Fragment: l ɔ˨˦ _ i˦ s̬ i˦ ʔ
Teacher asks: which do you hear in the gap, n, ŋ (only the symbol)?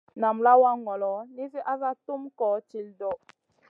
n